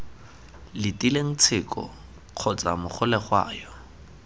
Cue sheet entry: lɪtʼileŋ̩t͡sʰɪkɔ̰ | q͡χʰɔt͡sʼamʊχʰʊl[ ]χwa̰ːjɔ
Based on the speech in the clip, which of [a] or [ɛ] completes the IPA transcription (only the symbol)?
ɛ